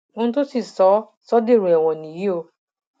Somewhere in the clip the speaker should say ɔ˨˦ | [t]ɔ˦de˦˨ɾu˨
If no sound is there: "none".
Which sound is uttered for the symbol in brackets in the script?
s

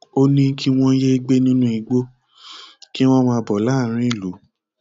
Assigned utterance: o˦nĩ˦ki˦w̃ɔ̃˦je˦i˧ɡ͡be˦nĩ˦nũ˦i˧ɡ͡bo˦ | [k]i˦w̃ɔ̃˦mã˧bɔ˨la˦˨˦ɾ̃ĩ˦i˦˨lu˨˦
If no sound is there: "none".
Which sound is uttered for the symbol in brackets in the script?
k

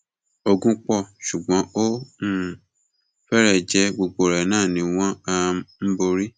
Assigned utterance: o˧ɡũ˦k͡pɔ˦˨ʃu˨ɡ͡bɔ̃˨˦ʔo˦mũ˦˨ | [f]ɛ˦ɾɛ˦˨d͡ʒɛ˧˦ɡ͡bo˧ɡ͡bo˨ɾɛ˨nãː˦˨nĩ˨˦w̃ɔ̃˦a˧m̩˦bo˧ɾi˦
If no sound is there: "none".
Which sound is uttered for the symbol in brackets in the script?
f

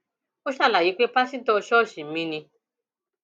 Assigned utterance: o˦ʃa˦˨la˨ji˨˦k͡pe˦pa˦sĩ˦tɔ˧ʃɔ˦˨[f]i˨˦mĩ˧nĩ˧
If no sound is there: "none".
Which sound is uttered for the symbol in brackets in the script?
ʃ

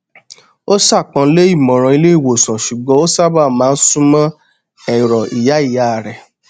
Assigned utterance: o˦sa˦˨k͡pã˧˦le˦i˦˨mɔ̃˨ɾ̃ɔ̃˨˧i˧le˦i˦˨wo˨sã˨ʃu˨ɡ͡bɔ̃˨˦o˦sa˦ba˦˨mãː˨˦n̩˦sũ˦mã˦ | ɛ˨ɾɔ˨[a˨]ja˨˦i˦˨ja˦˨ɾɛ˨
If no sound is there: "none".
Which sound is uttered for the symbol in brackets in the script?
i˨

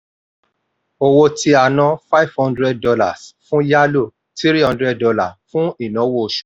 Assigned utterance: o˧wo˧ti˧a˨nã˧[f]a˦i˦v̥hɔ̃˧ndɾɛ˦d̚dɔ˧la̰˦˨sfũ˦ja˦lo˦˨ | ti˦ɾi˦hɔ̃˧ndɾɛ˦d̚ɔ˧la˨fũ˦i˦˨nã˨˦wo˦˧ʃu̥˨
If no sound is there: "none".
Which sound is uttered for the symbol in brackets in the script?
f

